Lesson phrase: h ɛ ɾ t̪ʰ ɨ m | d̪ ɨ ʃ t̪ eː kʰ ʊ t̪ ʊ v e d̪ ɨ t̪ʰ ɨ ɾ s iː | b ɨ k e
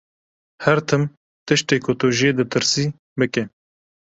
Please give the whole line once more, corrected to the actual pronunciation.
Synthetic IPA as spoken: h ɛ ɾ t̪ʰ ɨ m | t̪ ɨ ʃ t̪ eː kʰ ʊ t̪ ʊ ʒ e d̪ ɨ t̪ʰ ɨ ɾ s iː | b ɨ k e